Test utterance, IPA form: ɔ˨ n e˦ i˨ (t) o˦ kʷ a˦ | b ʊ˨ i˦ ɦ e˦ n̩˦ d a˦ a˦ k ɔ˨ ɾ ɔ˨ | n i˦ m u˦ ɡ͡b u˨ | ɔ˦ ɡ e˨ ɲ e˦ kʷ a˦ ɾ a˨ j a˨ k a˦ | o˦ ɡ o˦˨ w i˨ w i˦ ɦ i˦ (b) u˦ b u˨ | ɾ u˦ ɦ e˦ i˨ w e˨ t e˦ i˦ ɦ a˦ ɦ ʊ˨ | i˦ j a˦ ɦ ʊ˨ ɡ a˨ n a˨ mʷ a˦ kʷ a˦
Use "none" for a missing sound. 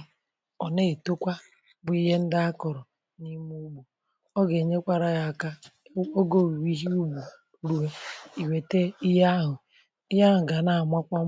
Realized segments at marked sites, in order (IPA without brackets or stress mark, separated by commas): t, none